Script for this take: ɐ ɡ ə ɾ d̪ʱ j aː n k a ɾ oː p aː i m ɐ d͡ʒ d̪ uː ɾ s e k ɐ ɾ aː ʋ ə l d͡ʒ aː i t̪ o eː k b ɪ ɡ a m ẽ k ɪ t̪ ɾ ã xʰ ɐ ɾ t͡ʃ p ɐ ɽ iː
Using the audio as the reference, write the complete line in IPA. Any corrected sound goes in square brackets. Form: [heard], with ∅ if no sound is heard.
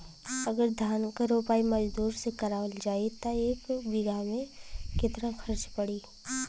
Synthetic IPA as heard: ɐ ɡ ə ɾ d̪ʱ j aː n k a ɾ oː p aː i m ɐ d͡ʒ d̪ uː ɾ s e k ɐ ɾ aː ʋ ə l d͡ʒ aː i t̪ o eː k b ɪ ɡ a m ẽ k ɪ t̪ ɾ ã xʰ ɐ ɾ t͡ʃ p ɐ ɽ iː